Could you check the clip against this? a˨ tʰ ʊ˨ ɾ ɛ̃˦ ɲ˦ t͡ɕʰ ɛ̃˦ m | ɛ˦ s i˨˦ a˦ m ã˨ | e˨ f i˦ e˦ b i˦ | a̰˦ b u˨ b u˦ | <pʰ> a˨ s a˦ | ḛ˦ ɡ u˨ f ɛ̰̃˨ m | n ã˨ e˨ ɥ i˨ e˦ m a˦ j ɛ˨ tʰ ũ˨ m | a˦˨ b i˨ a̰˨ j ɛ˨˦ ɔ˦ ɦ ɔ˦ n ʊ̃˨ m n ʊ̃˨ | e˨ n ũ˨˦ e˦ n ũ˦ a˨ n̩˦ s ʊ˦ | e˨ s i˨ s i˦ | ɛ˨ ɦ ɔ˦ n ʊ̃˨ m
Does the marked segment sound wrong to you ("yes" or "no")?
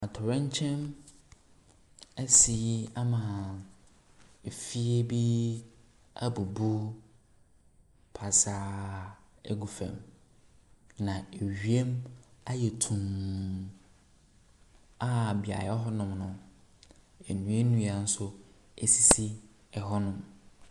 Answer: no